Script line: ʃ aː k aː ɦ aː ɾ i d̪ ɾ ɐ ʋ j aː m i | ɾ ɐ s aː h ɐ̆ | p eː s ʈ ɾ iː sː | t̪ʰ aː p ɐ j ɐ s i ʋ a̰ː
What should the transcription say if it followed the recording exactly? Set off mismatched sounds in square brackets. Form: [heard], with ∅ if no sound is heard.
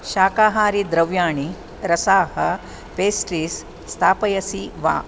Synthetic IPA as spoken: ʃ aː k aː ɦ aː ɾ i d̪ ɾ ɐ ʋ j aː [ɳ] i | ɾ ɐ s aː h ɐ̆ | p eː s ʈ ɾ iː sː | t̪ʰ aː p ɐ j ɐ s i ʋ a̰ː